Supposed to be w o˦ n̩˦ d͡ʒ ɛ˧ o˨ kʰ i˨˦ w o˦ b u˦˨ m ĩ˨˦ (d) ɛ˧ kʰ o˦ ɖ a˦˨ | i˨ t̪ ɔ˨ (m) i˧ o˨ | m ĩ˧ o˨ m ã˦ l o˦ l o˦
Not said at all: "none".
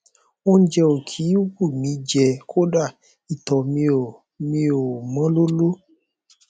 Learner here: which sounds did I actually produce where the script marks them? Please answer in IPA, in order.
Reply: d͡ʒ, m

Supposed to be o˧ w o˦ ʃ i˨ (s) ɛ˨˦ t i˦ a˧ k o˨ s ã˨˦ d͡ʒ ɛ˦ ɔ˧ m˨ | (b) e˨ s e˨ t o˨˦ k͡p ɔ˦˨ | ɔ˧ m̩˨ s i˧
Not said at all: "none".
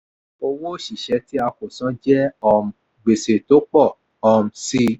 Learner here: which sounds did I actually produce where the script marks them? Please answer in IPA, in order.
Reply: ʃ, ɡ͡b

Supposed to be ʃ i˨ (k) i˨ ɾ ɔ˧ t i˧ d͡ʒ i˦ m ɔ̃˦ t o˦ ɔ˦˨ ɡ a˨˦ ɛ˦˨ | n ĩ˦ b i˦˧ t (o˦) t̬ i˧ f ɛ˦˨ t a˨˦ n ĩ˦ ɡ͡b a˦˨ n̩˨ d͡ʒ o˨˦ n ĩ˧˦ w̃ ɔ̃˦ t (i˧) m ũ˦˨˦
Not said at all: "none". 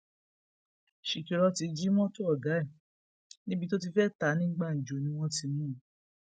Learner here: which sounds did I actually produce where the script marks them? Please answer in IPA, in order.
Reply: k, o˦, i˧

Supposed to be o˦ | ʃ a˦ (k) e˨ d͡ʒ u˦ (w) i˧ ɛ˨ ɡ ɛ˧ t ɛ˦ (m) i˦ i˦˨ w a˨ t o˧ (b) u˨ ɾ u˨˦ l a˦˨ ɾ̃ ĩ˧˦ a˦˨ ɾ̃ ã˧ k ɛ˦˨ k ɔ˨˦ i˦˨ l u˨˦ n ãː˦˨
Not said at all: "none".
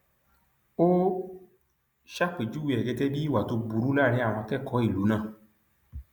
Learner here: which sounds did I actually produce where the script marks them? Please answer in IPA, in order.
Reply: k͡p, w, b, b

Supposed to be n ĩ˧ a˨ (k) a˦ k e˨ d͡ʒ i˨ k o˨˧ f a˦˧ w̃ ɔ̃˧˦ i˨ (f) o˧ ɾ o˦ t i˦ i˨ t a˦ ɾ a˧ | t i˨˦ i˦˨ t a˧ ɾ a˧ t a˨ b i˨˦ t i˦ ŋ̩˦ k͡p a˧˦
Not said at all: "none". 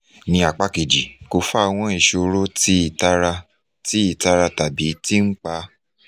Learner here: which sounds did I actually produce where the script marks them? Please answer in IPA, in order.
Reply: k͡p, ʃ

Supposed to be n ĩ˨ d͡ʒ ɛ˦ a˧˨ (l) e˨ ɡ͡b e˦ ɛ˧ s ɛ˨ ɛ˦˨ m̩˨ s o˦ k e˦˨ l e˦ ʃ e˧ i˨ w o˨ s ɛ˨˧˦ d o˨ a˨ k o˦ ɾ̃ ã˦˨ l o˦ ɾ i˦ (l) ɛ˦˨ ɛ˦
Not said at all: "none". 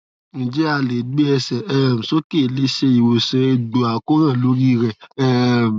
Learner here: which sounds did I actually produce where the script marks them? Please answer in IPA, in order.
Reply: l, ɾ

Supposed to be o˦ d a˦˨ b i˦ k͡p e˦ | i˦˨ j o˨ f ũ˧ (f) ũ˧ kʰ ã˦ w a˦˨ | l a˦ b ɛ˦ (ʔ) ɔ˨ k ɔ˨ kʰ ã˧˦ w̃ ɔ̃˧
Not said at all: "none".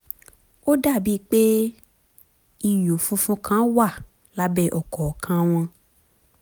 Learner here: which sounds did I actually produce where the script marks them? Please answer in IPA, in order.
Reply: f, ʔ

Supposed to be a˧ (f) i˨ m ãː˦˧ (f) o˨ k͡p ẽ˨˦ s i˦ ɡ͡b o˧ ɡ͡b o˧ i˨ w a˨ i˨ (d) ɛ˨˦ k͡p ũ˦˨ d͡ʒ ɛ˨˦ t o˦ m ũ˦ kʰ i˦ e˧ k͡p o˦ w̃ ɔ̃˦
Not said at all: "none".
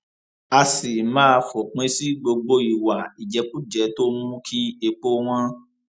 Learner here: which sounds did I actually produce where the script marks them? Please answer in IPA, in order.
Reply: s, f, d͡ʒ

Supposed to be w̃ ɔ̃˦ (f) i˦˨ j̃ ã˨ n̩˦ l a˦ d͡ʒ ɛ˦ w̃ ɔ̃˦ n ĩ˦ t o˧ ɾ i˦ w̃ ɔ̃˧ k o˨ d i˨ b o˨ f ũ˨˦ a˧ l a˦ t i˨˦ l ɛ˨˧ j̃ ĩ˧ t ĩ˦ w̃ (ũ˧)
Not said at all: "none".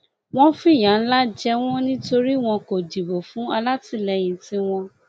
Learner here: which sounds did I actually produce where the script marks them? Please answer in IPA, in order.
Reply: f, ɔ̃˧

